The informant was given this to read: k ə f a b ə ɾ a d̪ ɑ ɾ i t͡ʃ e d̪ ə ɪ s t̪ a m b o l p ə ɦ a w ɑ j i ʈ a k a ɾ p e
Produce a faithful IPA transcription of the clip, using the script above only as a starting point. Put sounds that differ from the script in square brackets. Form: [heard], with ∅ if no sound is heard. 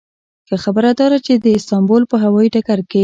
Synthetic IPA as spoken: k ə [x] a b ə ɾ a d̪ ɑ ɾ [a] t͡ʃ e d̪ ə ɪ s t̪ [ɑ] m b o l p ə ɦ a w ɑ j i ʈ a k a ɾ [k] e

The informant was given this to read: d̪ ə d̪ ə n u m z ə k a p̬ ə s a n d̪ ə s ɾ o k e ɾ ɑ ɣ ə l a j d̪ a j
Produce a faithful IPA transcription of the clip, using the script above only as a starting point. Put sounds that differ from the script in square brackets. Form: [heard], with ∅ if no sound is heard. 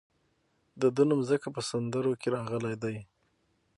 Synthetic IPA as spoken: d̪ ə d̪ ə n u m z ə k a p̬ ə s a n d̪ ə [∅] ɾ o k e ɾ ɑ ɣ ə l a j d̪ a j

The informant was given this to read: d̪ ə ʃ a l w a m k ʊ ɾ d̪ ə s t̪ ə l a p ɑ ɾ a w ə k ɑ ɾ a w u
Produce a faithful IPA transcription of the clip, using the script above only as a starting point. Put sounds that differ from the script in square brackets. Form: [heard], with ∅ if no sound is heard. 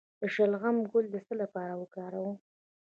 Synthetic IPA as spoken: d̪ ə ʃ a l [ɣ] a m [ɡ] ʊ [l] d̪ ə s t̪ ə l a p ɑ ɾ a w ə k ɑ ɾ a w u

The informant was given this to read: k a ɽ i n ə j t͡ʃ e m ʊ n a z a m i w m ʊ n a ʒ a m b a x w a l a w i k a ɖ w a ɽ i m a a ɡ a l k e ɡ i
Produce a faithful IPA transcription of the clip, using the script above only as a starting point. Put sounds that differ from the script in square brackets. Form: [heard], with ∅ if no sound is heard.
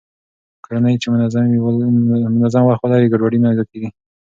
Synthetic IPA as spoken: k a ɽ [a] n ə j t͡ʃ e m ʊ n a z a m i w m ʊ n a [z] a m [w] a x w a l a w i [ɡ] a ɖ w a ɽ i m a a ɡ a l k e ɡ i

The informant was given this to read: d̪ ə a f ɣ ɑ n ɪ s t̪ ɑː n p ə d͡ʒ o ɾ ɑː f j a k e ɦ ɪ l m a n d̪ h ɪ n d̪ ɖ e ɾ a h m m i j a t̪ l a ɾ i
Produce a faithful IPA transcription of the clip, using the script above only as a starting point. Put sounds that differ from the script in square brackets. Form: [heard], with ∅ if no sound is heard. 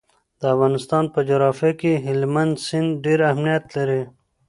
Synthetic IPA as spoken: d̪ ə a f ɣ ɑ n ɪ s t̪ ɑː n p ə d͡ʒ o ɾ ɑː f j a k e ɦ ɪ l m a n d̪ [s] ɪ n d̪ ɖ e ɾ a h m [n] i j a t̪ l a ɾ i

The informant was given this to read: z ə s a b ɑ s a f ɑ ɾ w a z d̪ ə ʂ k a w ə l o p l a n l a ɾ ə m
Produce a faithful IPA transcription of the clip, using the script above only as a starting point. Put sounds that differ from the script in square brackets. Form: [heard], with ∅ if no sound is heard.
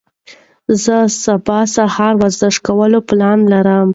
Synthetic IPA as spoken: z ə s a b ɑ s a [h] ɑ ɾ w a z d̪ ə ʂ k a w ə l o p l [ɑ] n l a ɾ ə m

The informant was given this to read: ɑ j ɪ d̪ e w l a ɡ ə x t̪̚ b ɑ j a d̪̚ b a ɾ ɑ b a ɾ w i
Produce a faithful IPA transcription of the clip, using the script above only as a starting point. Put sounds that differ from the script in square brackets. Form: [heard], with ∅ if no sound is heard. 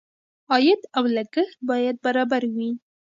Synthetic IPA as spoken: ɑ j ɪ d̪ [a] w l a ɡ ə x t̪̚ b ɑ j a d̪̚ b a ɾ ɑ b a ɾ w i

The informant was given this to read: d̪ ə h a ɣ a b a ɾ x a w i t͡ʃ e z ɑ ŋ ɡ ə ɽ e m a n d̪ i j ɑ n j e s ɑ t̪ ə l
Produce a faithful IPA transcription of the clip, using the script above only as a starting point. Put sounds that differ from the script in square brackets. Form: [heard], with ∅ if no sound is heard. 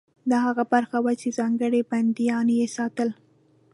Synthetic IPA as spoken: d̪ [ɑ] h a ɣ a b a ɾ x a w [a] t͡ʃ e z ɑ ŋ ɡ ə ɽ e [b] a n d̪ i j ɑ n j e s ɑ t̪ ə l

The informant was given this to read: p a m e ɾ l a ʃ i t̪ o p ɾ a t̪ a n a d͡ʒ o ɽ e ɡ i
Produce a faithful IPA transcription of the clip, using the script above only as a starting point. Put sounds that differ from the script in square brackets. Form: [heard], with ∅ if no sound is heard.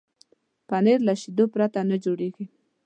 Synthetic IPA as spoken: p a [n] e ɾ l a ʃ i [d̪] o p ɾ a t̪ a n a d͡ʒ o ɽ e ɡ i

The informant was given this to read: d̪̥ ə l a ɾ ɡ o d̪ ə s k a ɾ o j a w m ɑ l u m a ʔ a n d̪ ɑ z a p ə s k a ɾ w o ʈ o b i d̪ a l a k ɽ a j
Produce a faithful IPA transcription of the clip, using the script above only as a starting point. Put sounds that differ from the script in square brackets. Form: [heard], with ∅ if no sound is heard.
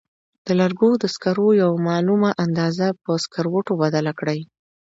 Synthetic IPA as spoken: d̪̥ ə l a ɾ ɡ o d̪ ə s k a ɾ o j a w m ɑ l u m a ʔ a n d̪ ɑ z a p ə s k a ɾ w o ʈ o b [a] d̪ a l a k ɽ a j

